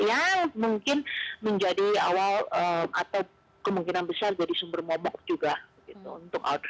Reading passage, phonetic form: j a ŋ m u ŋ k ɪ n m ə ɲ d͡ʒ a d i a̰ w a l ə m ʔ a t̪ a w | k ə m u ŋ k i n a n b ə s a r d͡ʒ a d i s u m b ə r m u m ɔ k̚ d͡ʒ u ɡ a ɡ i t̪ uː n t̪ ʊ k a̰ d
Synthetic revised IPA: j a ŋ m u ŋ k ɪ n m ə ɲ d͡ʒ a d i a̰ w a l ə m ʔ a t̪ a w | k ə m u ŋ k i n a n b ə s a r d͡ʒ a d i s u m b ə r m ɔ m ɔ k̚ d͡ʒ u ɡ a ɡ i t̪ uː n t̪ ʊ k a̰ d